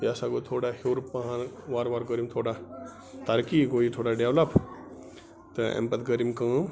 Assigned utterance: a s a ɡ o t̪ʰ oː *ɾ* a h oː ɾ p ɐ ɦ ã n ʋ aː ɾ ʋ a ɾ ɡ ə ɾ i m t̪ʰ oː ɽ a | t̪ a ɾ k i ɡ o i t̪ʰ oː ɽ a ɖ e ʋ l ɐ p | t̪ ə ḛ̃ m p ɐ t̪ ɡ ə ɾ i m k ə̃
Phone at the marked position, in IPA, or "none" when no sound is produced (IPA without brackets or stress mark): ɽ